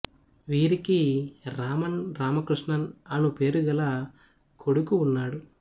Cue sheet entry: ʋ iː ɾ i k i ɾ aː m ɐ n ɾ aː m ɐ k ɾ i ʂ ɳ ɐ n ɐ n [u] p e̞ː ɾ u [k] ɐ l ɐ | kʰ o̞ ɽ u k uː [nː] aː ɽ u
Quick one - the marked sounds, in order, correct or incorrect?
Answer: correct, incorrect, correct

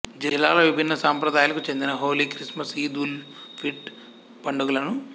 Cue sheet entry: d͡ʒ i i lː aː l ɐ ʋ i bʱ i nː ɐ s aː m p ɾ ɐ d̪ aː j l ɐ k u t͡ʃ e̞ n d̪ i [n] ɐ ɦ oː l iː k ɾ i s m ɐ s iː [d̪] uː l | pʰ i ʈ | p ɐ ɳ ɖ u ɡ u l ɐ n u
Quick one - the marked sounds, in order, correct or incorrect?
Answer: correct, correct

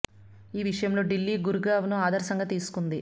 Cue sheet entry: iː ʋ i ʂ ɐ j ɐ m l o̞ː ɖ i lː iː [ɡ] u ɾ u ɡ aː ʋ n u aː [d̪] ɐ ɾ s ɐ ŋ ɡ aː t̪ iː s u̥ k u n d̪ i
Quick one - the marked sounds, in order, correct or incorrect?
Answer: correct, correct

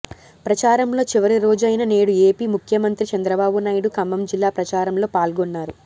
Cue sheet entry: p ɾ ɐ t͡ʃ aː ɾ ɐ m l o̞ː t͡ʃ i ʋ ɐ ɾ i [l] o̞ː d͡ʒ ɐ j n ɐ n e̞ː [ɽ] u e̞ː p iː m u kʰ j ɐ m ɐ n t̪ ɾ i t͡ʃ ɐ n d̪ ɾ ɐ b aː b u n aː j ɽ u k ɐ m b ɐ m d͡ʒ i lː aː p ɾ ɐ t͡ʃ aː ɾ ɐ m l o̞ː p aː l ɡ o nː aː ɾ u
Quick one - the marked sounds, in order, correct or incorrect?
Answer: incorrect, correct

